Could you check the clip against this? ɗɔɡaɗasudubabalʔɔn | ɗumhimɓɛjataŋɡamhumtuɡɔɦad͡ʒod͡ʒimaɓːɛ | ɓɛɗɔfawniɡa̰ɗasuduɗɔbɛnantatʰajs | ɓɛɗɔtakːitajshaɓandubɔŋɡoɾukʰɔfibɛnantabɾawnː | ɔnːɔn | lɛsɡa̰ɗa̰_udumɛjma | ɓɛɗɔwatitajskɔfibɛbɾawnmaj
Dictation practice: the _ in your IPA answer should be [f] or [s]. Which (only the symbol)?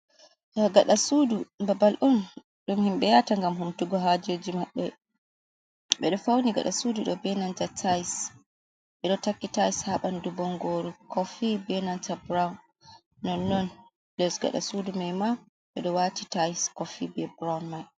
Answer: s